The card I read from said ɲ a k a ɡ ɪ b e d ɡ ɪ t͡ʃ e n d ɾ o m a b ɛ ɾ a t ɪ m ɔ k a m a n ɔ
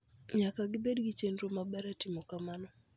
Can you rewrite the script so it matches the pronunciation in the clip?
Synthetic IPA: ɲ a k a ɡ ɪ b e d ɡ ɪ t͡ʃ e n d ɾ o m a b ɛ ɾ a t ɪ m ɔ k a m a n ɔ

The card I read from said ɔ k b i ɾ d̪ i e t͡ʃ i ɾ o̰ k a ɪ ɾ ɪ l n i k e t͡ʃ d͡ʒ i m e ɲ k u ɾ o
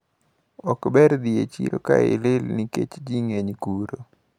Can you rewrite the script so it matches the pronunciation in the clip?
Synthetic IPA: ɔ k b ɛ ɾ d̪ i e t͡ʃ i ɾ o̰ k a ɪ l ɪ l n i k e t͡ʃ d͡ʒ i ŋ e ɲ k u ɾ o

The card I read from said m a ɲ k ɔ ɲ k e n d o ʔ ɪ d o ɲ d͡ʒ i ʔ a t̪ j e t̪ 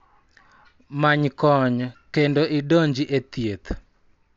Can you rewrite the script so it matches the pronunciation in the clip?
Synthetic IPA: m a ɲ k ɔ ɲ k e n d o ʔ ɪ d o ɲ d͡ʒ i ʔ e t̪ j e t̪

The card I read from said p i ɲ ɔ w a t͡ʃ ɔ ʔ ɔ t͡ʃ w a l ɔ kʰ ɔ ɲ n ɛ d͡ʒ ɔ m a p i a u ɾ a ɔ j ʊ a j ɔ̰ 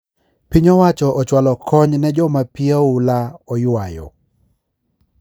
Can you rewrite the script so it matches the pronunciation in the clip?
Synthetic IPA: p i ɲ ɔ w a t͡ʃ ɔ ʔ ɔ t͡ʃ w a l ɔ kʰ ɔ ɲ n ɛ d͡ʒ ɔ m a p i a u l a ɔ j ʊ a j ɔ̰

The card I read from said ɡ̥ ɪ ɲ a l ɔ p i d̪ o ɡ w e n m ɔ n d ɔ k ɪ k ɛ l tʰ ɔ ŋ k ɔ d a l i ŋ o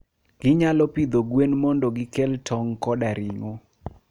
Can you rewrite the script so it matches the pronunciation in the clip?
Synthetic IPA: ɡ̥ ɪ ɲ a l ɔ p i d̪ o ɡ w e n m ɔ n d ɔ ɡ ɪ k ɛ l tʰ ɔ ŋ k ɔ d a ɾ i ŋ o

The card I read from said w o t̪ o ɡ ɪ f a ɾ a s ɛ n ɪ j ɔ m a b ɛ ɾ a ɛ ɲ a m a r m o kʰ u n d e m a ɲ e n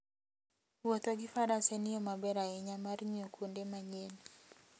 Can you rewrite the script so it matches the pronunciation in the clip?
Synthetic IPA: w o t̪ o ɡ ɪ f a ɾ a s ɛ n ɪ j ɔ m a b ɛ ɾ a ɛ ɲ a m a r ɲ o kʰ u n d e m a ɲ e n

